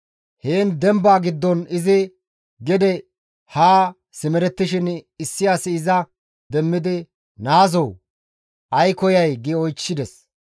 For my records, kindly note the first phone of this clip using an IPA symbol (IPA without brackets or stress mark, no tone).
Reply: h